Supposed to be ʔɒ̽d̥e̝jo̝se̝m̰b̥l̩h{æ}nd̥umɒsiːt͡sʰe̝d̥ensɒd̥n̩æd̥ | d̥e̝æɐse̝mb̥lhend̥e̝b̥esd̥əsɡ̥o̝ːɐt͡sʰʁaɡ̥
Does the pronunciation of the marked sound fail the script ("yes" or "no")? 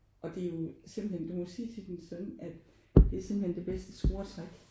yes